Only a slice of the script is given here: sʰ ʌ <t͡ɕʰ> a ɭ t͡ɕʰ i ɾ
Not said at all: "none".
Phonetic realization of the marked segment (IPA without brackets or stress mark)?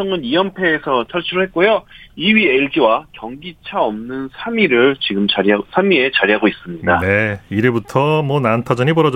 t͡ɕʰ